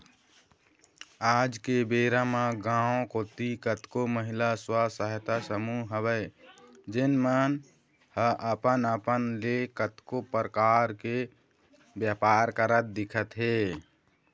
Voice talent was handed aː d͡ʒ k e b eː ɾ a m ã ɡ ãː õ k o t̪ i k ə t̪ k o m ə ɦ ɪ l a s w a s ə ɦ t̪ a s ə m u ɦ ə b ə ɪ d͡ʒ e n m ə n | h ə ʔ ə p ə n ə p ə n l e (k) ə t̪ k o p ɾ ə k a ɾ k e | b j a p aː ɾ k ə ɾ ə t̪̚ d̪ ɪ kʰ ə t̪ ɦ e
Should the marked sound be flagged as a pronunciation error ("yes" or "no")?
no